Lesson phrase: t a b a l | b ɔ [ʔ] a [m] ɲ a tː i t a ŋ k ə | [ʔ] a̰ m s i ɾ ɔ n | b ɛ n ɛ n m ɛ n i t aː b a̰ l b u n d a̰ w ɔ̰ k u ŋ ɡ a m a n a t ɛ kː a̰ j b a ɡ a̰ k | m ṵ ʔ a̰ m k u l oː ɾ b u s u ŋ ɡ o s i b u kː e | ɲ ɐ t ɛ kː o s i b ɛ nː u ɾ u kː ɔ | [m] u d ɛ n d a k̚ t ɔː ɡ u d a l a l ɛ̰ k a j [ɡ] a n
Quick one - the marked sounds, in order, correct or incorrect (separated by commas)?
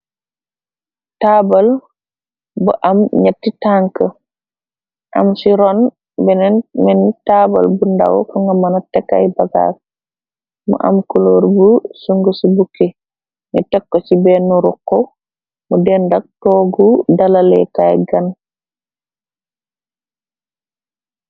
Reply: correct, correct, correct, correct, correct